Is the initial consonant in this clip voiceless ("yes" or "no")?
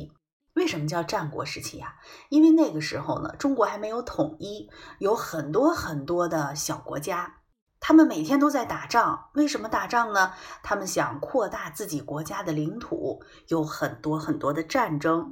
no